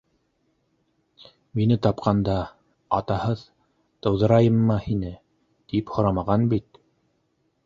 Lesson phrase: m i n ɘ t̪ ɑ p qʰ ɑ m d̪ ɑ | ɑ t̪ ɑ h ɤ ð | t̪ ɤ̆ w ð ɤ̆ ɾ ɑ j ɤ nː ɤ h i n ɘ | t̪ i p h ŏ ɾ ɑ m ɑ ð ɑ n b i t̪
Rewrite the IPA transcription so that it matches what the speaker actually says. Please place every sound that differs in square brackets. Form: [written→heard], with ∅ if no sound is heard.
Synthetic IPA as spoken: m i n ɘ t̪ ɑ p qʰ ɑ [m→n] d̪ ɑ | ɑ t̪ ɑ h ɤ ð | t̪ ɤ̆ w ð ɤ̆ ɾ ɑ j ɤ [nː→mː] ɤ h i n ɘ | t̪ i p h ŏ ɾ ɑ m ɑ [ð→ʁ] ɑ n b i t̪

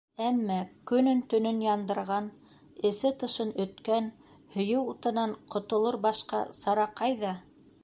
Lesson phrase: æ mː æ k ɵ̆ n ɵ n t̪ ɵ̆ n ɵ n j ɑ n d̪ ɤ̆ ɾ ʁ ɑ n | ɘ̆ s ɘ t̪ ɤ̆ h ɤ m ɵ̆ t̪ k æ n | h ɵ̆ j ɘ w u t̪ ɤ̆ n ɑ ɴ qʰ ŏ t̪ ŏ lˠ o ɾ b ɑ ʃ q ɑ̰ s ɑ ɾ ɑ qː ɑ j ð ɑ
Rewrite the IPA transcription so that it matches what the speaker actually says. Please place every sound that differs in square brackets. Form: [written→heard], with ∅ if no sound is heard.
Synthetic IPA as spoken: æ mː æ k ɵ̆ n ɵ n t̪ ɵ̆ n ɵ n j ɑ n d̪ ɤ̆ ɾ ʁ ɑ n | ɘ̆ s ɘ t̪ ɤ̆ [h→ʃ] ɤ [m→n] ɵ̆ t̪ k æ n | h ɵ̆ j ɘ w u t̪ ɤ̆ n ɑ ɴ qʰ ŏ t̪ ŏ lˠ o ɾ b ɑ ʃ q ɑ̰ s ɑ ɾ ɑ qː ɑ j ð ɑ

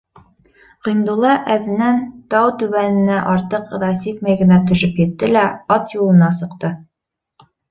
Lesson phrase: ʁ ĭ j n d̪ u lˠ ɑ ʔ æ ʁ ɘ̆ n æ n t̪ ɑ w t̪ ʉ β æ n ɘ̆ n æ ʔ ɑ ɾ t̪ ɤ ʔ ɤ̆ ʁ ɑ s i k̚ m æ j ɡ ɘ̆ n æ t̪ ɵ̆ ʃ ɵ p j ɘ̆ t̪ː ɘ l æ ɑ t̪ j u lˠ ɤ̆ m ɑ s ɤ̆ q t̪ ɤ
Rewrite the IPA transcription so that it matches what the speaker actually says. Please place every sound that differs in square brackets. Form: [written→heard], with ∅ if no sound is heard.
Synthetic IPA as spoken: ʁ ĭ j n d̪ u lˠ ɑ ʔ æ [ʁ→ð] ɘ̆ n æ n t̪ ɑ w t̪ ʉ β æ n ɘ̆ n æ ʔ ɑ ɾ t̪ ɤ [ʔ→q] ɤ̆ [ʁ→ð] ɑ s i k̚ m æ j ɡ ɘ̆ n æ t̪ ɵ̆ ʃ ɵ p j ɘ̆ t̪ː ɘ l æ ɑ t̪ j u lˠ ɤ̆ [m→n] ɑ s ɤ̆ q t̪ ɤ

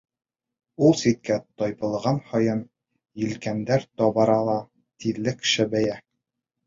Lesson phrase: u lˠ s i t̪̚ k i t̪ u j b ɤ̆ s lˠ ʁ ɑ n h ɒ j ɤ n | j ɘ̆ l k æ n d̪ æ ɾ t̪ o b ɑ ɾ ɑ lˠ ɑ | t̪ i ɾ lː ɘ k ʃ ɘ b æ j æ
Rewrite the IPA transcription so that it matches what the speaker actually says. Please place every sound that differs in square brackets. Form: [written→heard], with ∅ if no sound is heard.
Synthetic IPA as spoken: u lˠ s i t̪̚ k [i→æ] t̪ [u→ɒ] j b ɤ̆ [s→∅] lˠ ʁ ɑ n h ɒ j ɤ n | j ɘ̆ l k æ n d̪ æ ɾ t̪ [o→ɒ] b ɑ ɾ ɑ lˠ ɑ | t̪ i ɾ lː ɘ k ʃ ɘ b æ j æ

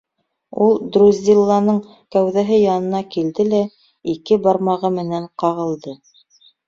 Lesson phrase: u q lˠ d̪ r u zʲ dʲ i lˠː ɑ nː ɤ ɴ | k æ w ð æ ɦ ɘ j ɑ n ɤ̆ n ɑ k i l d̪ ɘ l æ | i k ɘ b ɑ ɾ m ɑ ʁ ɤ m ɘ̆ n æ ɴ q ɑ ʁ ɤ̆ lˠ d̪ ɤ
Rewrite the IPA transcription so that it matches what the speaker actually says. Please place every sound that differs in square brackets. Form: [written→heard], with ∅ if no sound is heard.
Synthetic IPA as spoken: u [q→∅] lˠ d̪ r u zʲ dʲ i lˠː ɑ [nː→n] ɤ ɴ | k æ w ð æ ɦ ɘ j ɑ n ɤ̆ n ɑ k i l d̪ ɘ l æ | i k ɘ b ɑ ɾ m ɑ ʁ ɤ m ɘ̆ n æ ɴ q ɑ ʁ ɤ̆ lˠ d̪ ɤ

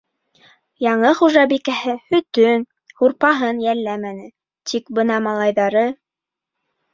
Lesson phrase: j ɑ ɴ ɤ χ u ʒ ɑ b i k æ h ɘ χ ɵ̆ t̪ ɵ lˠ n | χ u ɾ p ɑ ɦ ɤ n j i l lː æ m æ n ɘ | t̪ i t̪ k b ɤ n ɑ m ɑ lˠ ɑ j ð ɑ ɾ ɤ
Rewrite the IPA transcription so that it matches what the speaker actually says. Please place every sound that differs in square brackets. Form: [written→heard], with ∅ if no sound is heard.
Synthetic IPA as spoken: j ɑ ɴ ɤ χ u ʒ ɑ b i k æ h ɘ [χ→h] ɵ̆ t̪ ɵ [lˠ→∅] n | [χ→h] u ɾ p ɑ ɦ ɤ n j [i→æ] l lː æ m æ n ɘ | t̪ i [t̪→∅] k b ɤ n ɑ m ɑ lˠ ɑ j ð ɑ ɾ ɤ

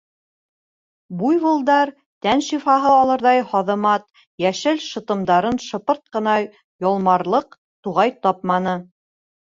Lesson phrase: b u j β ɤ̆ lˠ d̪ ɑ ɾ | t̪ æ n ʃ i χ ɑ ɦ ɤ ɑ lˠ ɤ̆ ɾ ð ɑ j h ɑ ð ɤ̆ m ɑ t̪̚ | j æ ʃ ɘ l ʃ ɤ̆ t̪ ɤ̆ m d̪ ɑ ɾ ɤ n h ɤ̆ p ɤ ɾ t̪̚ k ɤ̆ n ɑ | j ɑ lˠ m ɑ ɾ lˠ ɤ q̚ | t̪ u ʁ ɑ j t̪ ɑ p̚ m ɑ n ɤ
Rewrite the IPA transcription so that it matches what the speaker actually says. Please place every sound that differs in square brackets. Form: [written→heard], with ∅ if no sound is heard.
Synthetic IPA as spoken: b u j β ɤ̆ lˠ d̪ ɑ ɾ | t̪ æ n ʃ i [χ→f] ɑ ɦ ɤ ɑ lˠ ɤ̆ ɾ ð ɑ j h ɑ ð ɤ̆ m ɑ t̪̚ | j æ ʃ ɘ l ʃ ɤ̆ t̪ ɤ̆ m d̪ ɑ ɾ ɤ n [h→ʃ] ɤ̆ p ɤ ɾ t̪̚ [k→q] ɤ̆ n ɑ | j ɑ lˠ m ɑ ɾ lˠ ɤ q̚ | t̪ u ʁ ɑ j t̪ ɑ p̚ m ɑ n ɤ

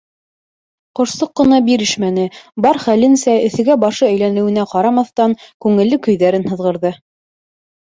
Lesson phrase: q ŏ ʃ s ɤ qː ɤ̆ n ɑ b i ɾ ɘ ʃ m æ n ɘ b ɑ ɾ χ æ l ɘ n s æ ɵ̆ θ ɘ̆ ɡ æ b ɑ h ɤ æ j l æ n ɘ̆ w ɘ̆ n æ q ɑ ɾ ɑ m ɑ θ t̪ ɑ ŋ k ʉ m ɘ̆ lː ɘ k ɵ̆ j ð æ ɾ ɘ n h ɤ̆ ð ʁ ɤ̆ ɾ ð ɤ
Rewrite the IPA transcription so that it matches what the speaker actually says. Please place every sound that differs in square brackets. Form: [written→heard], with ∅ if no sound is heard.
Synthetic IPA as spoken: q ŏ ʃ s ɤ qː ɤ̆ n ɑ b i ɾ ɘ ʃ m æ n ɘ b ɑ ɾ χ æ l ɘ n s æ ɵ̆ θ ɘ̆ ɡ æ b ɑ [h→ʃ] ɤ æ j l æ n ɘ̆ w ɘ̆ n æ q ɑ ɾ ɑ m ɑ θ t̪ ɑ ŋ k ʉ [m→ŋ] ɘ̆ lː ɘ k ɵ̆ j ð æ ɾ ɘ n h ɤ̆ ð ʁ ɤ̆ ɾ ð ɤ

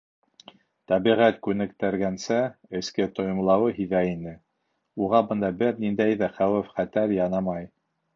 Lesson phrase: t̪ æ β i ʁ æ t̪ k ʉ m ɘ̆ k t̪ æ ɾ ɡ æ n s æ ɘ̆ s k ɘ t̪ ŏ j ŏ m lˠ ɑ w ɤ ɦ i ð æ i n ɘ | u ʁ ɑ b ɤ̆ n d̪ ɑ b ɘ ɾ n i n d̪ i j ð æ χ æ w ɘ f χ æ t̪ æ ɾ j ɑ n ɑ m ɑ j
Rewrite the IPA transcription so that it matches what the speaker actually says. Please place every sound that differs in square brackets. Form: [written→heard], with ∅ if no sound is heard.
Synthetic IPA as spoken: t̪ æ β i ʁ æ t̪ k ʉ [m→n] ɘ̆ k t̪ æ ɾ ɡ æ n s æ ɘ̆ s k ɘ t̪ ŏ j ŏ m lˠ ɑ w ɤ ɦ i ð æ i n ɘ | u ʁ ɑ b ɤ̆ n d̪ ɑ b ɘ ɾ n i n d̪ [i→æ] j ð æ χ æ w ɘ f χ æ t̪ æ ɾ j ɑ n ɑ m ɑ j

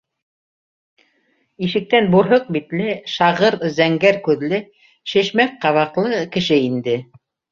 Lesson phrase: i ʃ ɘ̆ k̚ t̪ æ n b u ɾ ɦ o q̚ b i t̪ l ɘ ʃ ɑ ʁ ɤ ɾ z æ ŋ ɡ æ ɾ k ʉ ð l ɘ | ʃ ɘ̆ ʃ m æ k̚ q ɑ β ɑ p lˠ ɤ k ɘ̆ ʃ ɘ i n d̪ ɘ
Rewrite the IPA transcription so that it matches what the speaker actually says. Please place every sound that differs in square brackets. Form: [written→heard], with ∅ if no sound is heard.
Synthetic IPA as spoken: i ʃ ɘ̆ k̚ t̪ æ n b u ɾ ɦ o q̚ b i t̪ l ɘ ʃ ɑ ʁ ɤ ɾ z æ ŋ ɡ æ ɾ k ʉ ð l ɘ | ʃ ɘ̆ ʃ m æ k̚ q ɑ β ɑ [p→q] lˠ ɤ k ɘ̆ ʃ ɘ i n d̪ ɘ

